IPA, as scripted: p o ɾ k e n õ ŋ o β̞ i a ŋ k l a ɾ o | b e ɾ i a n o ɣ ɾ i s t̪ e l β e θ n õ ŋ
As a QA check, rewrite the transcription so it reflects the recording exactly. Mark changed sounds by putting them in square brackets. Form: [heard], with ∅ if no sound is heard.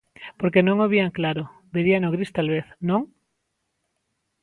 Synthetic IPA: p o ɾ k e n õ ŋ o β̞ i a ŋ k l a ɾ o | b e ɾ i a n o ɣ ɾ i s t̪ [a] l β e θ n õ ŋ